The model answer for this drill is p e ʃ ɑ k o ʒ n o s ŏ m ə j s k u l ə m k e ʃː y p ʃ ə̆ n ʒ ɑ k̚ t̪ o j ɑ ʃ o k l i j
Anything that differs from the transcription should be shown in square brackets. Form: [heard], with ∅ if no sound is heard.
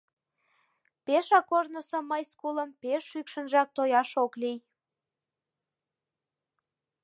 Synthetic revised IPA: p e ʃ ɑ k o ʒ n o s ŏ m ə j s k u l ə m [p] e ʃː y [k] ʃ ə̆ n ʒ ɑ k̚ t̪ o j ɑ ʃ o k l i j